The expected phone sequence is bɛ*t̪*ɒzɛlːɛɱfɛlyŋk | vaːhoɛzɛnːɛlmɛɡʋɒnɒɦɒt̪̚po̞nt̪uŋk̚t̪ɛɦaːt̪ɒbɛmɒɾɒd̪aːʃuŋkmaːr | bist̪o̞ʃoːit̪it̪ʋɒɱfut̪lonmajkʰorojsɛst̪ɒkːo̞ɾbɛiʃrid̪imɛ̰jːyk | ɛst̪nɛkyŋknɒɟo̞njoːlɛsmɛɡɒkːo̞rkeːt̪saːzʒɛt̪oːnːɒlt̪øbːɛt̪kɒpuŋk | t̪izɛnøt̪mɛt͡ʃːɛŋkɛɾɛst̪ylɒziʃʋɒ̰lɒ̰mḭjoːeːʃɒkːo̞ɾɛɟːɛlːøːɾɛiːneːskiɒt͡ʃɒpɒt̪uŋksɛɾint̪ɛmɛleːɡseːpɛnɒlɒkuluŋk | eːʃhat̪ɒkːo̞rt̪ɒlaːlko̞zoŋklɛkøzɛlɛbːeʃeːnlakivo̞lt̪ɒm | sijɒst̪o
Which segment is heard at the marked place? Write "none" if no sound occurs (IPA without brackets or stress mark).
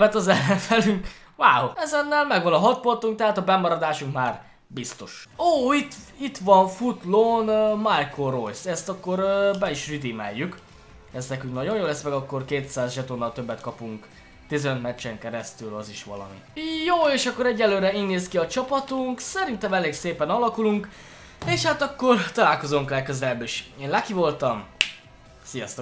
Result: t̪